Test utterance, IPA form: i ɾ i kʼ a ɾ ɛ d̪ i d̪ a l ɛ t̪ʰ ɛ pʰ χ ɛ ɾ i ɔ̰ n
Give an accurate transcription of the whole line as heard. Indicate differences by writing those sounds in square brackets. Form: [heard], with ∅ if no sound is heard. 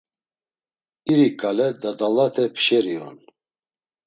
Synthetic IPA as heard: i ɾ i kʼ a [l] ɛ d̪ [a] d̪ a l [a] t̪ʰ ɛ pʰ [ʃ] ɛ ɾ i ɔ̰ n

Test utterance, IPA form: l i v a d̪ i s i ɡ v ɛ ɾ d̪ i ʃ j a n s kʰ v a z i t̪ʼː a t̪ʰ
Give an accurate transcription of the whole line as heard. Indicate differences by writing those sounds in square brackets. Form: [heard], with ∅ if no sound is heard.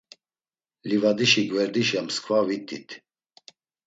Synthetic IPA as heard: l i v a d̪ i [ʃ] i ɡ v ɛ ɾ d̪ i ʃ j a [m] s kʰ v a [v] i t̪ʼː [i] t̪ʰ

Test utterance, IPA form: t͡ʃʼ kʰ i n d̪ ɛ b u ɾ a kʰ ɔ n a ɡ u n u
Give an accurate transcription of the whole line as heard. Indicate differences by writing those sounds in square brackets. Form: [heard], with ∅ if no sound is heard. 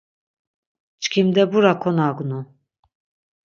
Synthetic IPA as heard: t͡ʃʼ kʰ i [m] d̪ ɛ b u ɾ a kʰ ɔ n a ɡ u n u

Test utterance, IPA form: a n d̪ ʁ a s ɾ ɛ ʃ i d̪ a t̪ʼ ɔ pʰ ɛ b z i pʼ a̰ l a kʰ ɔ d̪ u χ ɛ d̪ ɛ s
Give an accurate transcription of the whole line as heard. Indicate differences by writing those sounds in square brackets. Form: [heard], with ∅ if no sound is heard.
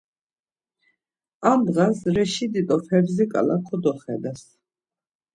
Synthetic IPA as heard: a [m] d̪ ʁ a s ɾ ɛ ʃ i d̪ [i] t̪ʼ ɔ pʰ ɛ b z i [kʼ] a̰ l a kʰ ɔ d̪ [ɔ] χ ɛ d̪ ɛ s

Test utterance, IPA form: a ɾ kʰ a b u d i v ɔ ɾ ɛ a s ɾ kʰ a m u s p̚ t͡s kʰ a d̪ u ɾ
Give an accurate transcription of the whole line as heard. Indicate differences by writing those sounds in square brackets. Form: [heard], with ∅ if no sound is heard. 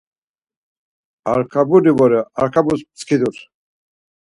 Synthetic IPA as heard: a ɾ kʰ a b u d i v ɔ ɾ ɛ a [∅] ɾ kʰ a [b] u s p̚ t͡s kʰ [i] d̪ u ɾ

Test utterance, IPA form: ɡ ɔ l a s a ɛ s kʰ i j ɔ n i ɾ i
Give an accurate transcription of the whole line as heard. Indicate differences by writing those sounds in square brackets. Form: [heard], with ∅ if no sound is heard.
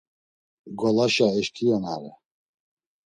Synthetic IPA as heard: ɡ ɔ l a [ʃ] a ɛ [ʃ] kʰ i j ɔ n [a] ɾ [ɛ]

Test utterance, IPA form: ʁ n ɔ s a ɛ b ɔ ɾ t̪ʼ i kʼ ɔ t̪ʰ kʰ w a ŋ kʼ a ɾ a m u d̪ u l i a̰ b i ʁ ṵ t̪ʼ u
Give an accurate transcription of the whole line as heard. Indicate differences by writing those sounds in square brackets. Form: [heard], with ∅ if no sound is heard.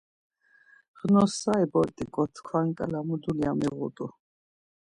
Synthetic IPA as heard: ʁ n ɔ s a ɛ b ɔ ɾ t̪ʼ i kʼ ɔ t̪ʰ kʰ w a ŋ kʼ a [l] a m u d̪ u l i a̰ [m] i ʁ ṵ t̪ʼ u

